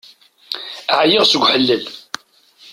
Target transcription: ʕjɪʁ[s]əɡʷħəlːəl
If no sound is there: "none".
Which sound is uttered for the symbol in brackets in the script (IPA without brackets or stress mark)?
s